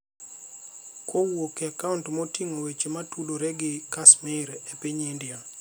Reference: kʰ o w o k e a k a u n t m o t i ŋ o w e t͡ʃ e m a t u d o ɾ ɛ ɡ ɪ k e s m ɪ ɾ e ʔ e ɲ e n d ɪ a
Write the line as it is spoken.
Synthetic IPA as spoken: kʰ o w o k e a k a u n t m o t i ŋ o w e t͡ʃ e m a t u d o ɾ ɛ ɡ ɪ k a s m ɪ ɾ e p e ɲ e n d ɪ a